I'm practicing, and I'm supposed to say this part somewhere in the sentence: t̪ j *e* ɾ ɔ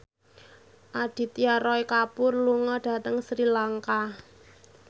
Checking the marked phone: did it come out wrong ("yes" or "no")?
yes